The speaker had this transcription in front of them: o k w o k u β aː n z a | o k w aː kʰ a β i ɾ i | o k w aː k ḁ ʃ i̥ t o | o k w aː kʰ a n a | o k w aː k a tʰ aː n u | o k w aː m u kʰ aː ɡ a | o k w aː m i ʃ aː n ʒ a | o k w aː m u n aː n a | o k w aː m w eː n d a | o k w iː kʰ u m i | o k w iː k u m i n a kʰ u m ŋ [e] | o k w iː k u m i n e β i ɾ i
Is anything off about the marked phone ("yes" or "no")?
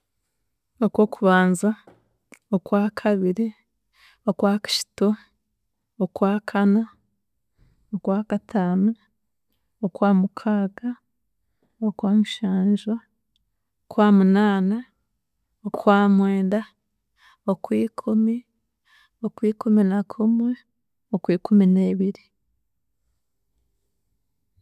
no